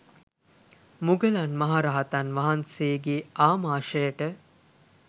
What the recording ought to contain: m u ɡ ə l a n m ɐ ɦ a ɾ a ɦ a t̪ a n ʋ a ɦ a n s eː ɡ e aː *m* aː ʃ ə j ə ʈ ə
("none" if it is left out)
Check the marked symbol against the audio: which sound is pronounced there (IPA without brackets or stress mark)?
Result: m